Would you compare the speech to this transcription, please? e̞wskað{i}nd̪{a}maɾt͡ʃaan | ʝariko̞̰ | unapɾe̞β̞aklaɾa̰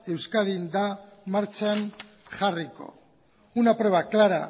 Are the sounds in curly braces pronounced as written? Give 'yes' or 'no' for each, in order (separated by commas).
yes, yes